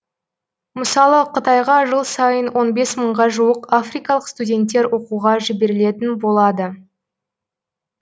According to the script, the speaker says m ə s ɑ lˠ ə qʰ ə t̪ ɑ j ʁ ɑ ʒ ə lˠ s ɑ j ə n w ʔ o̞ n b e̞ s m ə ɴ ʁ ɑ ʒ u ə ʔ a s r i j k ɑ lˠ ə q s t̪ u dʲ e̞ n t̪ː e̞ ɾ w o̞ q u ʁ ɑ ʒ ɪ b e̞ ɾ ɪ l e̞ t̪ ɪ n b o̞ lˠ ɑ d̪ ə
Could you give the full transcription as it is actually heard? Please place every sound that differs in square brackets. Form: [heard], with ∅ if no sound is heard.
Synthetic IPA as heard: m ə s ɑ lˠ ə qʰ ə t̪ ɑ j ʁ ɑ ʒ ə lˠ s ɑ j ə n w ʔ o̞ n b e̞ s m ə ɴ ʁ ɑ ʒ u ə [q] a [f] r i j k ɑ lˠ ə q s t̪ u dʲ e̞ n t̪ː e̞ ɾ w o̞ q u ʁ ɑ ʒ ɪ b e̞ ɾ ɪ l e̞ t̪ ɪ n b o̞ lˠ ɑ d̪ ə